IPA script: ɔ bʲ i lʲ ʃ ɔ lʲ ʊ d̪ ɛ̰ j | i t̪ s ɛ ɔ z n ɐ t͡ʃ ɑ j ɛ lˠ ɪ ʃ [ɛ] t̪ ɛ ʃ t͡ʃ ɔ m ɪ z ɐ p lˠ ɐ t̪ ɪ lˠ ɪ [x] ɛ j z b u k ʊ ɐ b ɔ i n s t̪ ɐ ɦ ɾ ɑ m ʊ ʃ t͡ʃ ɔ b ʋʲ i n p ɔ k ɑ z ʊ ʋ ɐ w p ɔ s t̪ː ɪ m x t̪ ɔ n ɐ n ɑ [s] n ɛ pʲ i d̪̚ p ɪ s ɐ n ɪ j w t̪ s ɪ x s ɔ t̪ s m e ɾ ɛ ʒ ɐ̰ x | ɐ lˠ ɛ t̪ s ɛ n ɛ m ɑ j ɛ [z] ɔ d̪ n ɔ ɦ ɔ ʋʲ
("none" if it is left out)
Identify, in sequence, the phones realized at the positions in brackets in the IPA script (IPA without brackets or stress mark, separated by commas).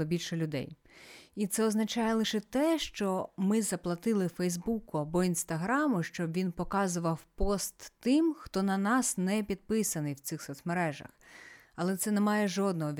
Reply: ɛ, f, s, ʒ